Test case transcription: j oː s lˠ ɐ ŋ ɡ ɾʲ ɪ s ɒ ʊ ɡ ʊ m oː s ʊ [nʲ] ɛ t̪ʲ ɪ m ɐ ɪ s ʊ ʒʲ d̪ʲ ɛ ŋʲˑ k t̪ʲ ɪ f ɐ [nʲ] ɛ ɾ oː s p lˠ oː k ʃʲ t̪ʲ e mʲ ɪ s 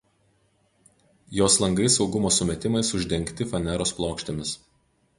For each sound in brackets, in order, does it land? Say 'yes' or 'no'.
no, yes

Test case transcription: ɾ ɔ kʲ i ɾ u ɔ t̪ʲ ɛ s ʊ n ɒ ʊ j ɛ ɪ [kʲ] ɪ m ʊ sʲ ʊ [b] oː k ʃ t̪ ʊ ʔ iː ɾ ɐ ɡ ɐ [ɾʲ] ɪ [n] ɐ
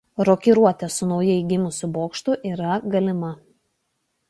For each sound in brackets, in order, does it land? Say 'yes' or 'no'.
no, yes, no, no

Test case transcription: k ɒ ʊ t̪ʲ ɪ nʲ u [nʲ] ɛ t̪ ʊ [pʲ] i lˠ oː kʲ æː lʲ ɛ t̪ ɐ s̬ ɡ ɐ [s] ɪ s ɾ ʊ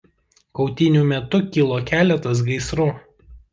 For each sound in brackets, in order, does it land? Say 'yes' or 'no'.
no, no, no

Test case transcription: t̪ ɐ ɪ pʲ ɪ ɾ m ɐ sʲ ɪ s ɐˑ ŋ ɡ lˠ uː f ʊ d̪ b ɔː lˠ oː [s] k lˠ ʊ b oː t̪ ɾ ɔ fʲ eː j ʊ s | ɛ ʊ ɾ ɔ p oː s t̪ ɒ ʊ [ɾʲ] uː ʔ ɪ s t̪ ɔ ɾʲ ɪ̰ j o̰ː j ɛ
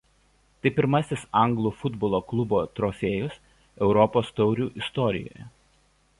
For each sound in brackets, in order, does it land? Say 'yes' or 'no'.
no, yes

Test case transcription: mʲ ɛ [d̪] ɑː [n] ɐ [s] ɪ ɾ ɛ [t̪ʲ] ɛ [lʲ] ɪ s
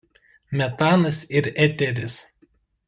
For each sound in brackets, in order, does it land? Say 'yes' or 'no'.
no, yes, yes, yes, no

